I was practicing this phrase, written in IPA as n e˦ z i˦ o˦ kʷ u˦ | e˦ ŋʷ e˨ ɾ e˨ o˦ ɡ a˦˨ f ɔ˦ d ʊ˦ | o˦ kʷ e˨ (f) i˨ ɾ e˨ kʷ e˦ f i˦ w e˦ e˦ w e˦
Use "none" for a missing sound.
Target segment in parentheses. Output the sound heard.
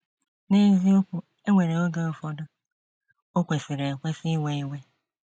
f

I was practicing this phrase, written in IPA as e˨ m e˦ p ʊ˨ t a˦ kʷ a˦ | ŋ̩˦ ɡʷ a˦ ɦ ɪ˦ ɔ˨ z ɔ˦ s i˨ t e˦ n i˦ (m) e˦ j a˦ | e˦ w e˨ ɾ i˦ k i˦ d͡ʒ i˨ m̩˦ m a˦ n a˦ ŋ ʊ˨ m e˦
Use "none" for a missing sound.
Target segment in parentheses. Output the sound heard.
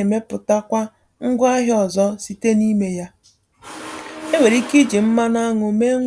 m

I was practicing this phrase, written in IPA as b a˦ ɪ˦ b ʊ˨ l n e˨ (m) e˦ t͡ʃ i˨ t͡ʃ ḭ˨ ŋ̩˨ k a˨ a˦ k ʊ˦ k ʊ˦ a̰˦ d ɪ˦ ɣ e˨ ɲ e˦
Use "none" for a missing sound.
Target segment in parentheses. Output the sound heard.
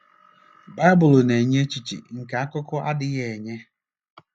ɲ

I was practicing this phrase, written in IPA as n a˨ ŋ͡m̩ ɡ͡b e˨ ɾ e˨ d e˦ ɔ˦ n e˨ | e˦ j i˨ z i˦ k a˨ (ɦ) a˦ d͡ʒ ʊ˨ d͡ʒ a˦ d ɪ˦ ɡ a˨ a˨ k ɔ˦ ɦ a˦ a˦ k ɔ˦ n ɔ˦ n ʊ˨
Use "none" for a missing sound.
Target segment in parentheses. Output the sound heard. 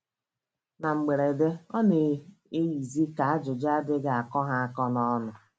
none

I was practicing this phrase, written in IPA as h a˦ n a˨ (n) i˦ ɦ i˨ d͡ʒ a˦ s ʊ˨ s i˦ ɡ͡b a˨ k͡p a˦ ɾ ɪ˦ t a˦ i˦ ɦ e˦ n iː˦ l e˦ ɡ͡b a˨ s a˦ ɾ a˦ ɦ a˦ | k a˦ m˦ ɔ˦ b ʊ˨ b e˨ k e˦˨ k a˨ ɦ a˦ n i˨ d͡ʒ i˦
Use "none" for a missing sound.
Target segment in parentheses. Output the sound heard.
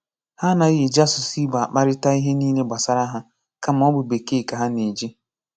none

